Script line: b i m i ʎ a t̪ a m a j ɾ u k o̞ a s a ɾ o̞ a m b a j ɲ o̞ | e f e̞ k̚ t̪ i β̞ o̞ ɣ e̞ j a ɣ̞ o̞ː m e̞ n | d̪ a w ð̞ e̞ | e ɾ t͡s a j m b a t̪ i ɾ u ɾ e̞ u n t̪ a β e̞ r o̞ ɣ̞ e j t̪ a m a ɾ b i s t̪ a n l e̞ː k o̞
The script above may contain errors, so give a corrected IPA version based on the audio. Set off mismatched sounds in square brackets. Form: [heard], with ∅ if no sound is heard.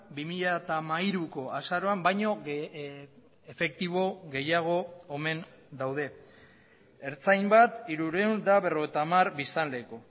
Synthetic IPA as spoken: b i m i ʎ a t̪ a m a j ɾ u k o̞ a s a ɾ o̞ a m b a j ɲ o̞ | e f e̞ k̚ t̪ i β̞ o̞ ɣ e̞ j a ɣ̞ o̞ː m e̞ n | d̪ a w ð̞ e̞ | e ɾ t͡s a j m b a t̪ i ɾ u ɾ e̞ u n [d̪] a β e̞ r o̞ ɣ̞ e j t̪ a m a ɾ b i s t̪ a n l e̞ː k o̞